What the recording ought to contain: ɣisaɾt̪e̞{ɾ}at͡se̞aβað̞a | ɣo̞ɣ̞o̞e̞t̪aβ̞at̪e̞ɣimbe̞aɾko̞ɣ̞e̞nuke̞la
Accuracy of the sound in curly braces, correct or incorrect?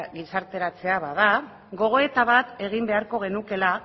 correct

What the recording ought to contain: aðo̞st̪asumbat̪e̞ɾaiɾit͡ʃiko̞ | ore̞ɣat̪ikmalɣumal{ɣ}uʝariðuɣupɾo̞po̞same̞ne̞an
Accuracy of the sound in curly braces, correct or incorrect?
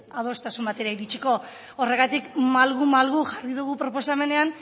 correct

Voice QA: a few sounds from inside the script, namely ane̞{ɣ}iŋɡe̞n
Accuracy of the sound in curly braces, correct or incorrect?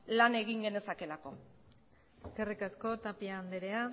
correct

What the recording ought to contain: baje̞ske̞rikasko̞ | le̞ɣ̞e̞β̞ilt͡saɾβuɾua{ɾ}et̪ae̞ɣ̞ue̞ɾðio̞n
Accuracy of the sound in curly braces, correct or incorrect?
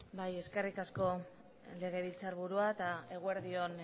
incorrect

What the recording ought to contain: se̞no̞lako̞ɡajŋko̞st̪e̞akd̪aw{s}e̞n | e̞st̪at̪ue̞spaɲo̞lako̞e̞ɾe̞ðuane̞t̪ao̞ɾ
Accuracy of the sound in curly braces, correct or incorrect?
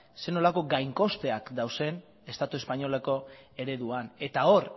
correct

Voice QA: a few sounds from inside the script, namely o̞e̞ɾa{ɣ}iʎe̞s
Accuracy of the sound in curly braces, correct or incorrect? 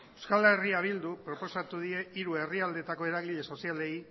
correct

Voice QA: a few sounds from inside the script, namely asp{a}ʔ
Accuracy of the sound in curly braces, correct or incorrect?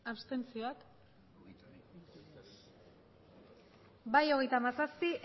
incorrect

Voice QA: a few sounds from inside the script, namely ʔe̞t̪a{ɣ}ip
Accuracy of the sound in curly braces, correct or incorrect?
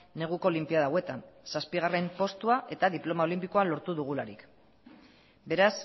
incorrect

